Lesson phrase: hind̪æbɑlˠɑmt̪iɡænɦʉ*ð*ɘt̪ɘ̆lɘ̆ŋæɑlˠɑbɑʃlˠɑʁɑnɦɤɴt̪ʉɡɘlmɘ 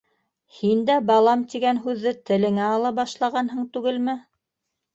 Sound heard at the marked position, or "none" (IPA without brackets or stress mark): ðː